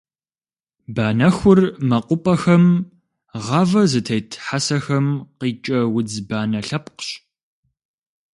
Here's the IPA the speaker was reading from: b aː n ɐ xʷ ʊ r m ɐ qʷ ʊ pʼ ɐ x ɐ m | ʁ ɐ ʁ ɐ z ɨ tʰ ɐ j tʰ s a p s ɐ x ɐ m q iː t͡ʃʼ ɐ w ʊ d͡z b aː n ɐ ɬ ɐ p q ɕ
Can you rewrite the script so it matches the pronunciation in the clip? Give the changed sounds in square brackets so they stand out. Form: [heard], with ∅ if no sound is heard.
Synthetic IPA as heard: b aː n ɐ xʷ ʊ r m ɐ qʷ ʊ pʼ ɐ x ɐ m | ʁ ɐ [v] ɐ z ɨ tʰ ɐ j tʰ [ħ] a [∅] s ɐ x ɐ m q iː t͡ʃʼ ɐ w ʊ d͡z b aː n ɐ ɬ ɐ p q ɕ